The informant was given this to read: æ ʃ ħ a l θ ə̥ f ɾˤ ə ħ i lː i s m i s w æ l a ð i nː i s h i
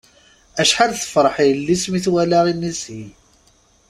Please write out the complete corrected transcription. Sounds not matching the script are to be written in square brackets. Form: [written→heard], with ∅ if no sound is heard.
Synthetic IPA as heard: æ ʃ ħ a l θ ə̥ f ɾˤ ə ħ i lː i s m i [s→θ] w æ l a [ð→ʁ] i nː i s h i